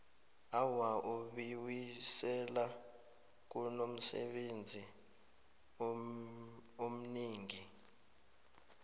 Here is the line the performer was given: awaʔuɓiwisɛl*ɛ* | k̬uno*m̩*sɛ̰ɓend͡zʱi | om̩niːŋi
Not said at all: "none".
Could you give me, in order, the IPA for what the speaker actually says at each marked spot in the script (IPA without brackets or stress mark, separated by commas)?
a, m̩